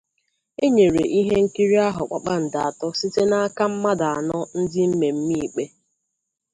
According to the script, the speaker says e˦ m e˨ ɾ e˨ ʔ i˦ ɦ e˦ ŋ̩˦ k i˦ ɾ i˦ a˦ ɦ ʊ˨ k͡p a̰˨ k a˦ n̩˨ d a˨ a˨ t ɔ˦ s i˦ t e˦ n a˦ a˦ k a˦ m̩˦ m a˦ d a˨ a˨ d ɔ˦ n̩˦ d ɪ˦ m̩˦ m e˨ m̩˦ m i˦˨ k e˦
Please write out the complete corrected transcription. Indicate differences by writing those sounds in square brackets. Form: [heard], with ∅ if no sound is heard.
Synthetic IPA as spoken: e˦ [ɲ] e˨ ɾ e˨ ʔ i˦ ɦ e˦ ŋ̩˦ k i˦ ɾ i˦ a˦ ɦ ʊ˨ k͡p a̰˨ [k͡p] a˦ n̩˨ d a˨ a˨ t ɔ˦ s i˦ t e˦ n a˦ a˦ k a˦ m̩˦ m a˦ d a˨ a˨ [n] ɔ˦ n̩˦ d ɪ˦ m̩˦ m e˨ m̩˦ m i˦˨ [k͡p] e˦